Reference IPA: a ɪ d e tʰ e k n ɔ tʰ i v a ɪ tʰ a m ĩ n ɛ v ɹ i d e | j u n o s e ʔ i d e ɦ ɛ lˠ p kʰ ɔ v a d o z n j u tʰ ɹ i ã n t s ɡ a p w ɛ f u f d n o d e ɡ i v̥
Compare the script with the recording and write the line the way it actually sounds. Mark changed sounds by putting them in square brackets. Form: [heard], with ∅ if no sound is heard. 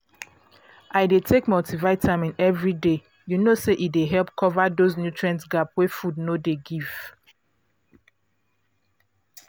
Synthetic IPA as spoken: a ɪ d e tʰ e k [m] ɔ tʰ i v a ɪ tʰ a m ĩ n ɛ v ɹ i d e | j u n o s e ʔ i d e ɦ ɛ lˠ p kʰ ɔ v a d o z n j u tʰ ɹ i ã n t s ɡ a p w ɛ f u [∅] d n o d e ɡ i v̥

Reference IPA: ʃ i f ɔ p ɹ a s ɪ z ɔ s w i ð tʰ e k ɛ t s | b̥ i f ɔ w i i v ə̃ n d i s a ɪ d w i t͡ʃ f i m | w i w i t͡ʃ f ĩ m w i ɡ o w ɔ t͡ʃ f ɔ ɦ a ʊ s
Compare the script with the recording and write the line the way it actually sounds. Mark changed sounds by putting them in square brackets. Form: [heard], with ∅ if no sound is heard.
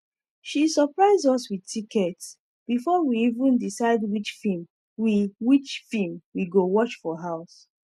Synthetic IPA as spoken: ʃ i [s] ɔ p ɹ a [∅] ɪ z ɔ s w i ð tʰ [i] k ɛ t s | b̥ i f ɔ w i i v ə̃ n d i s a ɪ d w i t͡ʃ f i m | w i w i t͡ʃ f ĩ m w i ɡ o w ɔ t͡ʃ f ɔ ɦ a ʊ s

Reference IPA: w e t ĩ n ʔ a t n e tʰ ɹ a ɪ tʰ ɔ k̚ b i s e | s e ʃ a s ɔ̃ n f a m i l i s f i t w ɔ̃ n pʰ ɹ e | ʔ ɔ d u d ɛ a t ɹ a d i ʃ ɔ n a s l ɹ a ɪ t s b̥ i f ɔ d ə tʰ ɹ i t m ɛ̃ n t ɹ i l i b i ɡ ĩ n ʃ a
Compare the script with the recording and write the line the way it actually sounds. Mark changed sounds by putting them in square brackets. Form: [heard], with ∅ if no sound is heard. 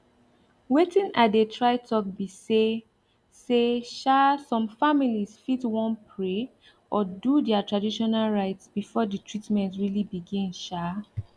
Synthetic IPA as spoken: w e t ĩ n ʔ a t [d] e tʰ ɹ a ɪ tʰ ɔ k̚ b i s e | s e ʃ a s ɔ̃ [m] f a m i l i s f i t w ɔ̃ n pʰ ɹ e | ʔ ɔ d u d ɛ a t ɹ a d i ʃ ɔ n a [∅] l ɹ a ɪ t s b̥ i f ɔ d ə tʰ ɹ i t m ɛ̃ n t ɹ i l i b i ɡ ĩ n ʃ a

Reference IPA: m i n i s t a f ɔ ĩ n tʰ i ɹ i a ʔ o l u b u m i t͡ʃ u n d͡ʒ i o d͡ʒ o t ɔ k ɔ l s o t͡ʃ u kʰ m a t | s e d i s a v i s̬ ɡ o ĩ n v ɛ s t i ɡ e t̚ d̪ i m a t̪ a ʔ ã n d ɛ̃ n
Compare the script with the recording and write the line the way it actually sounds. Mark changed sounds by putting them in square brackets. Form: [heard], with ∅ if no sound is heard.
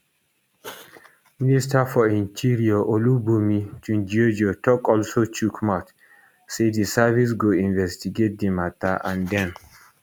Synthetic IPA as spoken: m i n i s t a f ɔ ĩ n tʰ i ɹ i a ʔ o l u b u m i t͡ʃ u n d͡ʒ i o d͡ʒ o t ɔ k ɔ l s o t͡ʃ u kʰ m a t | s e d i s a v i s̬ ɡ o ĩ n v ɛ s t i ɡ e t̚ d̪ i m a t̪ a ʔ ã n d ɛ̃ n

